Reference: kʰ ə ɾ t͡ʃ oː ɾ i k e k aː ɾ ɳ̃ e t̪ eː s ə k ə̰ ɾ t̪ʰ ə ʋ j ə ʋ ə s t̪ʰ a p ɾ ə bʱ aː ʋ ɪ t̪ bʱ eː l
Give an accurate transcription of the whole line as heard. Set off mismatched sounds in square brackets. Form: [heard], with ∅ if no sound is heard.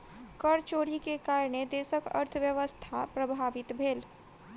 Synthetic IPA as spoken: [k] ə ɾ t͡ʃ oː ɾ i k e k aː ɾ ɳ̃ e [d̪] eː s ə k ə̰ ɾ t̪ʰ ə ʋ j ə ʋ ə s t̪ʰ a p ɾ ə bʱ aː ʋ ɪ t̪ bʱ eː l

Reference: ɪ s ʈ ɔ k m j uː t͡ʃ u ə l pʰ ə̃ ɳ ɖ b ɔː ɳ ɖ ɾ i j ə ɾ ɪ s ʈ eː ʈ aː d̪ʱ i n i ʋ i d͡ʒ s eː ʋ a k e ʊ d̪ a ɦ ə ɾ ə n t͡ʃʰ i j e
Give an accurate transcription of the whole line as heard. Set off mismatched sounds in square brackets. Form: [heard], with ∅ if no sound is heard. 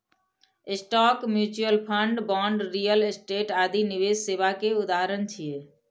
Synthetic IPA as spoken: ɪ s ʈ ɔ k m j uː t͡ʃ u ə l pʰ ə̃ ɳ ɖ b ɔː ɳ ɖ ɾ i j ə [l] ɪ s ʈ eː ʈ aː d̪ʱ i n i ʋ [e] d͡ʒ s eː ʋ a k e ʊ d̪ a ɦ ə ɾ ə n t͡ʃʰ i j e

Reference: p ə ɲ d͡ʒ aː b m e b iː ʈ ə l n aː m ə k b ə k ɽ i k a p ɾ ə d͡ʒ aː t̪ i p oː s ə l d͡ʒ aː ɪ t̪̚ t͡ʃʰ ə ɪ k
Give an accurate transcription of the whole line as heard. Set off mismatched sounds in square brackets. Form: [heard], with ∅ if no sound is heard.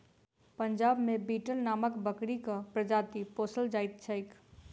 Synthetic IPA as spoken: p ə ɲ d͡ʒ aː b m e b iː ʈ ə l n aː m ə k b ə k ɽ i k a p ɾ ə d͡ʒ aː t̪ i p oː s ə l d͡ʒ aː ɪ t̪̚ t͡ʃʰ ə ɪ k

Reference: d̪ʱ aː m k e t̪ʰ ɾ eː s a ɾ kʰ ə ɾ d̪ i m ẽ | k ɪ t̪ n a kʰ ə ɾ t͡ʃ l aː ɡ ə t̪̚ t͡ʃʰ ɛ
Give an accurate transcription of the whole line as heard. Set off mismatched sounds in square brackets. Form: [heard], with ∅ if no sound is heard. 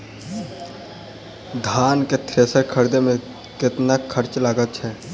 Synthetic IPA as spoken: d̪ʱ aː [n] k e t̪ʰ ɾ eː s [ə] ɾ kʰ ə ɾ d̪ [e] m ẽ | k ɪ t̪ n a kʰ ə ɾ t͡ʃ l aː ɡ ə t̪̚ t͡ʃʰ ɛ

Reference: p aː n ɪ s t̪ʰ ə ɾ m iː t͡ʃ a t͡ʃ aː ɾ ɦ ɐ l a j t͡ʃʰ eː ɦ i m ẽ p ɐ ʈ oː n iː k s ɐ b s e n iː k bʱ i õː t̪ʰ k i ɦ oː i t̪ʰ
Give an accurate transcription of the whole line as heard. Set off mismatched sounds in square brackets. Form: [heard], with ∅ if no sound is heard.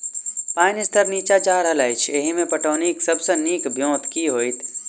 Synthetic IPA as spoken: p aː n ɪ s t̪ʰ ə ɾ [n] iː t͡ʃ a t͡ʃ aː ɾ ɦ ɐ l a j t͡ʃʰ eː ɦ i m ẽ p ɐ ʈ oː n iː k s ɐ b s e n iː k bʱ [j] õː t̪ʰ k i ɦ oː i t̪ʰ

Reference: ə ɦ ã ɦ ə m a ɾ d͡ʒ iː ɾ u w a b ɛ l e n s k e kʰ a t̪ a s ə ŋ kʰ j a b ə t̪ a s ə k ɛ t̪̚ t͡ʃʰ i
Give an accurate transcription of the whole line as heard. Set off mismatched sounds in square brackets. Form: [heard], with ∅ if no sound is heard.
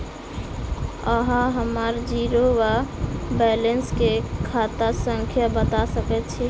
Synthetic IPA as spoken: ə ɦ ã ɦ ə m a ɾ d͡ʒ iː ɾ [o] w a b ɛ l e n s k e kʰ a t̪ a s ə ŋ kʰ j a b ə t̪ a s ə k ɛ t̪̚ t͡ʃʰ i

